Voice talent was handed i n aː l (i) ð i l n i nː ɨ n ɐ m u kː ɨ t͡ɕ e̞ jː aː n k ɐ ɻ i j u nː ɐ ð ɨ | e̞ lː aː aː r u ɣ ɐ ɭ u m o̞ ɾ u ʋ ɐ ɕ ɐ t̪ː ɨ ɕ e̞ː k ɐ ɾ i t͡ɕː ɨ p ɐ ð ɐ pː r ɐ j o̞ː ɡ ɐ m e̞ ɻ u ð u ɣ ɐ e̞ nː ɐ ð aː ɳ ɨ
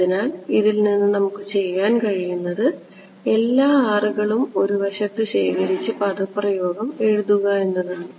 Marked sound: correct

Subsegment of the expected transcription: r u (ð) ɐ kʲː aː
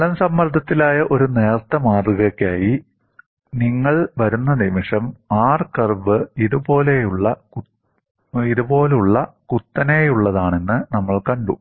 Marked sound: incorrect: ɣ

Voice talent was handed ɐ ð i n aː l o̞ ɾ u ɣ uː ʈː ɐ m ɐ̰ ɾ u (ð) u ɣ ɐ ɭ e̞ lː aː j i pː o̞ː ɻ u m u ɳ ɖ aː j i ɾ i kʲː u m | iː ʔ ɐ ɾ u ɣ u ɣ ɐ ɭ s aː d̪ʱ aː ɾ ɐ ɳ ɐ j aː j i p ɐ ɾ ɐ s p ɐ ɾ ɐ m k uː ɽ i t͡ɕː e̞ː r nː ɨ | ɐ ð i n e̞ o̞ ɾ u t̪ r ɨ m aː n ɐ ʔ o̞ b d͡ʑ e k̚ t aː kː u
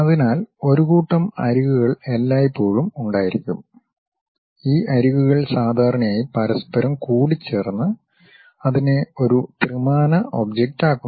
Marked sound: incorrect: ɣ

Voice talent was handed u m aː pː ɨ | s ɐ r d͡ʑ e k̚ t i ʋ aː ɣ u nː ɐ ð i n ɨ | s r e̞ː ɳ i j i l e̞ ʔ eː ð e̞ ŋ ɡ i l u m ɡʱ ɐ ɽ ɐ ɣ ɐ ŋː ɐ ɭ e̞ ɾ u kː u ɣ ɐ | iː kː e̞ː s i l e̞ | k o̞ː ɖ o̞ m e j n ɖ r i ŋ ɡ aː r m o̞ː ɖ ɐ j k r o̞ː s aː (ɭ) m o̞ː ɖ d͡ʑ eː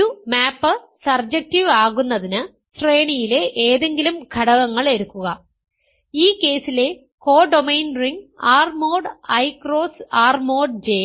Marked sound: incorrect: r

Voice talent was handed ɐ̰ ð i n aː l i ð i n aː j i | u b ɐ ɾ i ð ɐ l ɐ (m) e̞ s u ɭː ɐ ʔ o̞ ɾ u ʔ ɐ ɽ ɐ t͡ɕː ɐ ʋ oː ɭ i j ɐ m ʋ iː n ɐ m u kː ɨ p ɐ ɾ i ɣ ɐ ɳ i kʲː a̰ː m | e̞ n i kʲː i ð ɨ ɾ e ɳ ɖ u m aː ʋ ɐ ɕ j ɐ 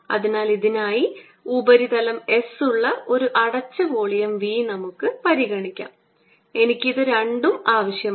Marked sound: correct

